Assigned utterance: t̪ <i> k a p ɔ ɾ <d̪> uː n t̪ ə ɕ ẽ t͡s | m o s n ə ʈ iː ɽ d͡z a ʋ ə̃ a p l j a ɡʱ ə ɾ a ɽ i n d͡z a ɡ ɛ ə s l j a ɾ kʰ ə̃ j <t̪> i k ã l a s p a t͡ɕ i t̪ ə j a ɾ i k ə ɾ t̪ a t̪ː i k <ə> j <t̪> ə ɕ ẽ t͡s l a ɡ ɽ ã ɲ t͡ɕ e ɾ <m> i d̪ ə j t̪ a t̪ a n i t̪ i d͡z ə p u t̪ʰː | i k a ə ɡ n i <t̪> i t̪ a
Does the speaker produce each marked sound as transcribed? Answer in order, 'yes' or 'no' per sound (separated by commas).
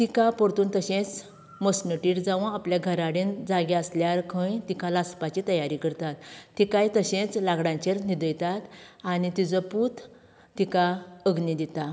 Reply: yes, no, yes, no, yes, no, no